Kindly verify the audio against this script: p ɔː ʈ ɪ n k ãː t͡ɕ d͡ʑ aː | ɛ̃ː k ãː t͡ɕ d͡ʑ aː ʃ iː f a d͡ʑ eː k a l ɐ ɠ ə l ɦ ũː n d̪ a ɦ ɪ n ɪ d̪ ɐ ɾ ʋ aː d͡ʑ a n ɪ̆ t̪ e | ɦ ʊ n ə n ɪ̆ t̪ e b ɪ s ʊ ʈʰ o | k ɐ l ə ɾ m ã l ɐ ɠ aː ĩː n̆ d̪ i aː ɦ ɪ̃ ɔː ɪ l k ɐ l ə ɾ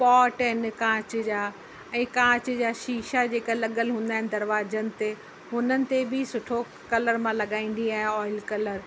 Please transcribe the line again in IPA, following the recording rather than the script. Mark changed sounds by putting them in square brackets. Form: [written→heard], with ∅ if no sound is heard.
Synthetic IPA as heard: p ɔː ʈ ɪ n k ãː t͡ɕ d͡ʑ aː | ɛ̃ː k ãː t͡ɕ d͡ʑ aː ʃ iː [f→ʃ] a d͡ʑ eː k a l ɐ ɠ ə l ɦ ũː n d̪ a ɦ ɪ n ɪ d̪ ɐ ɾ ʋ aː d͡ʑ [a→ə] n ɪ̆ t̪ e | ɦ ʊ n ə n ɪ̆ t̪ e b ɪ s ʊ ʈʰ o | k ɐ l ə ɾ m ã l ɐ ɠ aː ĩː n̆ d̪ i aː ɦ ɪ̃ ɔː ɪ l k ɐ l ə ɾ